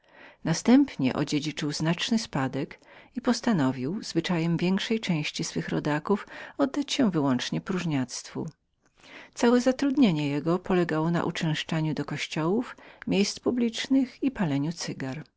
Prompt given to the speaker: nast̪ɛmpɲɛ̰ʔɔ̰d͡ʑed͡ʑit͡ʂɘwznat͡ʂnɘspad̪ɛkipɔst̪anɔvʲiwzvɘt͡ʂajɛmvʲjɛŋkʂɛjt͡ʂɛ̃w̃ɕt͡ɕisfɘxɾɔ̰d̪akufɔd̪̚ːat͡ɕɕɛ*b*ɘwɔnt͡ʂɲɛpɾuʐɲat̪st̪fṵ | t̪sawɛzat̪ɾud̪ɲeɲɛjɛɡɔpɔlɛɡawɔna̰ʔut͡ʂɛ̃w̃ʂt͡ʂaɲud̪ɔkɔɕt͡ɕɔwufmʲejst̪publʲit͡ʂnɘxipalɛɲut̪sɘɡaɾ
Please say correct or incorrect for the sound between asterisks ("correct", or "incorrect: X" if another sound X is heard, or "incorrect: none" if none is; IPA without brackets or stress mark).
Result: incorrect: v